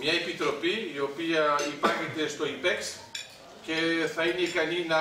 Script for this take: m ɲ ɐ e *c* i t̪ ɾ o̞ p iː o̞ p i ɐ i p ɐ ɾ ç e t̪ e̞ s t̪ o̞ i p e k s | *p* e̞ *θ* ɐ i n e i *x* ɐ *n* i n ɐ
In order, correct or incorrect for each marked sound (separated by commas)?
incorrect, incorrect, correct, incorrect, correct